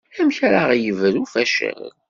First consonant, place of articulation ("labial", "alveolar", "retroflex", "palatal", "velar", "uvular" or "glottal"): labial